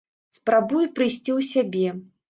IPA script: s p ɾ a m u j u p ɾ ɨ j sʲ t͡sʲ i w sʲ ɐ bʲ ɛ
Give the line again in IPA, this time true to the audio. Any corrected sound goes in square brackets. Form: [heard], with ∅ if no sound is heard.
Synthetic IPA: s p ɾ a [b] u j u p ɾ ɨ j sʲ t͡sʲ i w sʲ [a] bʲ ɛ

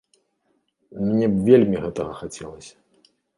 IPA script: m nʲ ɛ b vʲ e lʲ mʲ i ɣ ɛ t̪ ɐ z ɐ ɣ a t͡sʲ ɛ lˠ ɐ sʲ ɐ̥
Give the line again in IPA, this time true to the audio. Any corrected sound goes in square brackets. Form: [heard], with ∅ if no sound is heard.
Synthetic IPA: m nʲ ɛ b vʲ e lʲ mʲ i ɣ ɛ t̪ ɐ [ɣ] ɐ [x] a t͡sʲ ɛ lˠ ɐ sʲ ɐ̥

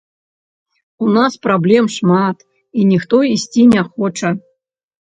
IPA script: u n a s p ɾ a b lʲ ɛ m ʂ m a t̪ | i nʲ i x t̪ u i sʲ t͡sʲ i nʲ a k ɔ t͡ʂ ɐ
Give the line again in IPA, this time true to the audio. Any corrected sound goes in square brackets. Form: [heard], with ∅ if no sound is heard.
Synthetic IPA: u n a s p ɾ a b lʲ ɛ m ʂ m a t̪ | i nʲ i x t̪ [ɔ] i sʲ t͡sʲ i nʲ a [x] ɔ t͡ʂ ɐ

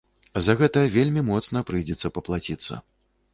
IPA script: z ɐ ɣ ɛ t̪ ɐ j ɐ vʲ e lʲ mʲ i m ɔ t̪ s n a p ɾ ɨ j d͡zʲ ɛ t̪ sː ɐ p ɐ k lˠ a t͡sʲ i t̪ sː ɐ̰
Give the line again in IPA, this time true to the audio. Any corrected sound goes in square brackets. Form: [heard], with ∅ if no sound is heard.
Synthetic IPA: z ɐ ɣ ɛ t̪ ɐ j ɐ vʲ e lʲ mʲ i m ɔ t̪ s n [ɐ] p ɾ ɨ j d͡zʲ ɛ t̪ sː ɐ p ɐ [p] lˠ a t͡sʲ i t̪ sː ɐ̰

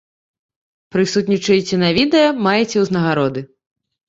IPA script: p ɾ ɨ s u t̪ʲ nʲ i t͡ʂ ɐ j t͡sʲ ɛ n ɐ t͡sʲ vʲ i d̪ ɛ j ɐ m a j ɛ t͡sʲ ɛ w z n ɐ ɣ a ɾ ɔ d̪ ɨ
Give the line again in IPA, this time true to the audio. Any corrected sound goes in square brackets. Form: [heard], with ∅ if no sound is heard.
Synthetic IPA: p ɾ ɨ s u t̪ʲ nʲ i t͡ʂ ɐ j t͡sʲ ɛ n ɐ [∅] vʲ i d̪ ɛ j ɐ m a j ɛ t͡sʲ ɛ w z n ɐ ɣ a ɾ ɔ d̪ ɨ

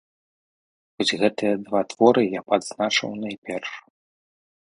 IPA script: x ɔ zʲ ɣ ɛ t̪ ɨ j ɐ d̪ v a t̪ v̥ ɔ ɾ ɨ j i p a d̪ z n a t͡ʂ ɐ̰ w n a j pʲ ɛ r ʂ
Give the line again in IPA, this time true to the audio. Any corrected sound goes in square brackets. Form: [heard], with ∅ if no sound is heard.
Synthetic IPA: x ɔ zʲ ɣ ɛ t̪ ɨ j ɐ d̪ v a t̪ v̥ ɔ ɾ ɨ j [a] p a d̪ z n a t͡ʂ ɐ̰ w n a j pʲ ɛ r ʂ

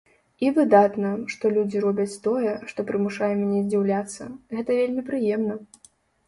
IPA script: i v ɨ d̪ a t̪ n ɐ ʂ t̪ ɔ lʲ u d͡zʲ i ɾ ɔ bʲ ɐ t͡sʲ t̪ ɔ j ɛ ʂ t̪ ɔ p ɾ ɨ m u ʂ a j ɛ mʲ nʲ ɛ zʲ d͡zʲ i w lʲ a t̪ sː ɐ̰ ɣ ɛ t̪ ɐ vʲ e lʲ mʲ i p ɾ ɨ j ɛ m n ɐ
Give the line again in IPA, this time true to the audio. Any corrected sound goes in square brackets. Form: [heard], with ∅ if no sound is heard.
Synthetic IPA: i v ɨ d̪ a t̪ n ɐ ʂ t̪ ɔ lʲ u d͡zʲ i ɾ ɔ bʲ ɐ t͡sʲ t̪ ɔ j ɛ ʂ t̪ ɔ p ɾ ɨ m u ʂ a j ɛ mʲ nʲ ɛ zʲ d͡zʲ i w lʲ a t̪ sː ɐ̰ ɣ ɛ t̪ ɐ vʲ e lʲ mʲ i p ɾ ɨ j ɛ m n ɐ

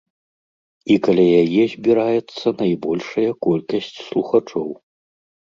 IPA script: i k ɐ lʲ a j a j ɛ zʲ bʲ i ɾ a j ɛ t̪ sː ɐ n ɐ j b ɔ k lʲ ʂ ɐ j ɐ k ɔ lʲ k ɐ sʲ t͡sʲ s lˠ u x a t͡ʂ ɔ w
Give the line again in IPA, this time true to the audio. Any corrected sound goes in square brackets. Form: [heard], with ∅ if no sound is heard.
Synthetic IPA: i k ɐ lʲ a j a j ɛ zʲ bʲ i ɾ a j ɛ t̪ sː ɐ n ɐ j b ɔ [∅] lʲ ʂ ɐ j ɐ k ɔ lʲ k ɐ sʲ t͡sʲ s lˠ u x a t͡ʂ ɔ w

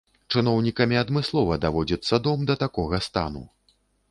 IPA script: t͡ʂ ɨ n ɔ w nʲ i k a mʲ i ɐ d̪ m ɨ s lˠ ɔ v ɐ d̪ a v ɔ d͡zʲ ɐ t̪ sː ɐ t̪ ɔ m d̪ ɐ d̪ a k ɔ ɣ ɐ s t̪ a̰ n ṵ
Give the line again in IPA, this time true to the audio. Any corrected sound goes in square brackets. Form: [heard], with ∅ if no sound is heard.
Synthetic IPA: t͡ʂ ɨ n ɔ w nʲ i k [ɐ] mʲ i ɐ d̪ m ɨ s lˠ ɔ v ɐ d̪ a v ɔ d͡zʲ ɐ t̪ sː ɐ [d̪] ɔ m d̪ ɐ [t̪] a k ɔ ɣ ɐ s t̪ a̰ n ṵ

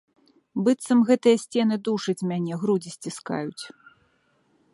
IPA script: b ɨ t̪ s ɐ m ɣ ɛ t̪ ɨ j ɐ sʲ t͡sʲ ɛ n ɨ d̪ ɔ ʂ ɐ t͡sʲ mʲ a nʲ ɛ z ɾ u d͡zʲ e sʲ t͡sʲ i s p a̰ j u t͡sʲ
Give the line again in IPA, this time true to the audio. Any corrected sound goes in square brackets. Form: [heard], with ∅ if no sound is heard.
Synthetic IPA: b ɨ t̪ s ɐ m ɣ ɛ t̪ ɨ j ɐ sʲ t͡sʲ ɛ n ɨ d̪ [u] ʂ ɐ t͡sʲ mʲ a nʲ ɛ [ɣ] ɾ u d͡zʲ [i] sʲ t͡sʲ i s [k] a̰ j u t͡sʲ

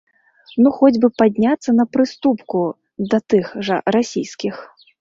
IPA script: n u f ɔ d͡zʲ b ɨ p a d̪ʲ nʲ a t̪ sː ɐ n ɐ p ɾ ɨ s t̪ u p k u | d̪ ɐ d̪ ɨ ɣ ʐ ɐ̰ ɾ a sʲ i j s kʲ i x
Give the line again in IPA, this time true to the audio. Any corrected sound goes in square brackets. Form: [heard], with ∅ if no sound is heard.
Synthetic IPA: n u [x] ɔ d͡zʲ b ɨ p a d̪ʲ nʲ a t̪ sː ɐ n ɐ p ɾ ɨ s t̪ u p k u | d̪ ɐ [t̪] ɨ [x] ʐ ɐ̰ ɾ a sʲ i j s kʲ i x

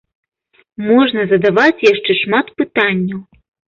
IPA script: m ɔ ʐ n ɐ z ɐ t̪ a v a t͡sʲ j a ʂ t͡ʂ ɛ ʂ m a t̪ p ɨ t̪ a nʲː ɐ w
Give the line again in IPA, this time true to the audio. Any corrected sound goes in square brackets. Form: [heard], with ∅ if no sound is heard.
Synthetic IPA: m ɔ ʐ n ɐ z ɐ [d̪] a v a t͡sʲ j a ʂ t͡ʂ ɛ ʂ m a t̪ p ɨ t̪ a nʲː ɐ w

